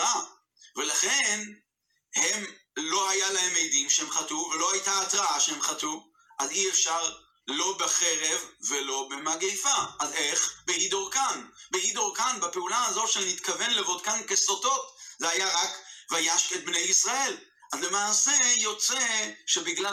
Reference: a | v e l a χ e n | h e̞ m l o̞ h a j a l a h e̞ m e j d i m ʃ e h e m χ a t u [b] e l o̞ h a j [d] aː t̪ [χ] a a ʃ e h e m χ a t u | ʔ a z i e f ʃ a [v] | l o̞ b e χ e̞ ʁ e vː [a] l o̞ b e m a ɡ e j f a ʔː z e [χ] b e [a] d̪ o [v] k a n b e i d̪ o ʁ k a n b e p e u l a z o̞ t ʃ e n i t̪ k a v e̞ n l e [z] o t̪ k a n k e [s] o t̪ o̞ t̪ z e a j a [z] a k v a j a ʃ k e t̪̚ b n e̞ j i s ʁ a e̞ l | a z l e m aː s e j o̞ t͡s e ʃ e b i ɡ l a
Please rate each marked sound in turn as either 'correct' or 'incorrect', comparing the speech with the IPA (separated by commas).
incorrect, incorrect, incorrect, incorrect, incorrect, correct, incorrect, incorrect, incorrect, correct, incorrect